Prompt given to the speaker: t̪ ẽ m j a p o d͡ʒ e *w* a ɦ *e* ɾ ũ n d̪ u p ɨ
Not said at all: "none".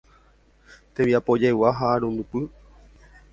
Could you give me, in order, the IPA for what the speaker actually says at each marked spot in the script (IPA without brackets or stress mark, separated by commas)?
w, a